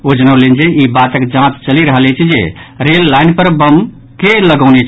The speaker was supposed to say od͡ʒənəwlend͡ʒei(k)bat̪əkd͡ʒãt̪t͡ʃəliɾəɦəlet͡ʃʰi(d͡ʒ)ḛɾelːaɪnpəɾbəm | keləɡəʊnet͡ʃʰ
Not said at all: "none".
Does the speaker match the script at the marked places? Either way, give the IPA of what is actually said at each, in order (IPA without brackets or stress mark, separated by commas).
none, d͡ʒ